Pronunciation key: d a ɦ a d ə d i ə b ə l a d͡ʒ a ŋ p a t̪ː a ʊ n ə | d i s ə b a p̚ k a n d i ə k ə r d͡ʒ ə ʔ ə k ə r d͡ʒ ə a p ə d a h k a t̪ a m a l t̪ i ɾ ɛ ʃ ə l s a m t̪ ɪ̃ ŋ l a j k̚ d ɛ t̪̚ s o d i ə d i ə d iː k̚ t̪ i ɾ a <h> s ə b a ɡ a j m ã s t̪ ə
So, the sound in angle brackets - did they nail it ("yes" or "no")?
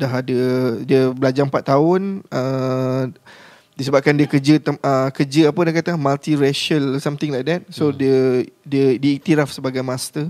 no